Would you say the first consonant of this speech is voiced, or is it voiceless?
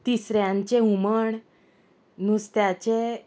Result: voiceless